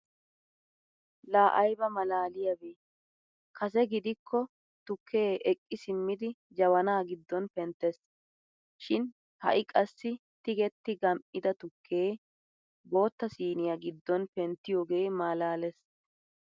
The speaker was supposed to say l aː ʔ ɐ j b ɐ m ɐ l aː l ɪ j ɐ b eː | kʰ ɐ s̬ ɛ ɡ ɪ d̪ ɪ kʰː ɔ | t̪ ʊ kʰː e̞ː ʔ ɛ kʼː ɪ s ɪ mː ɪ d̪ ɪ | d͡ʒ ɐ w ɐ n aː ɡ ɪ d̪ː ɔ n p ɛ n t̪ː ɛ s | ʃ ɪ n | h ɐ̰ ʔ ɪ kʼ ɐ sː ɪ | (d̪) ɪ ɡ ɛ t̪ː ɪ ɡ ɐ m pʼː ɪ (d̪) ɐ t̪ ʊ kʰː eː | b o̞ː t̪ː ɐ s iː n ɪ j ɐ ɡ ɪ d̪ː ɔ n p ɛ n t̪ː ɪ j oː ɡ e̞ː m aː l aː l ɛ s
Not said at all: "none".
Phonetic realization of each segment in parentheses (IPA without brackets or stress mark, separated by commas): t̪, d̪